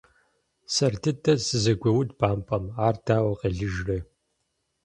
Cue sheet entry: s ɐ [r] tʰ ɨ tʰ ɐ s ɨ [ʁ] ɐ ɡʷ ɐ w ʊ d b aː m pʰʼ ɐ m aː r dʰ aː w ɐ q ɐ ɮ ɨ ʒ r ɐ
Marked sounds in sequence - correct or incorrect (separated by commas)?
correct, incorrect